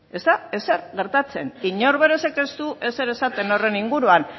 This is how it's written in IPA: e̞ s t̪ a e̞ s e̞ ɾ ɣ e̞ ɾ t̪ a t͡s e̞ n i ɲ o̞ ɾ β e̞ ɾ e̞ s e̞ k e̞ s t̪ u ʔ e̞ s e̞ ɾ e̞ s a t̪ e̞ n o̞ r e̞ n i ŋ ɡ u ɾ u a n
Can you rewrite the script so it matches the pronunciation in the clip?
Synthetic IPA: e̞ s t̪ a e̞ s e̞ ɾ ɣ e̞ ɾ t̪ a t͡s e̞ n i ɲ o̞ ɾ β e̞ ɾ e̞ s e̞ k e̞ s t̪ u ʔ e̞ s e̞ ɾ e̞ s a t̪ e̞ n o̞ r e̞ n i ŋ ɡ u ɾ u a n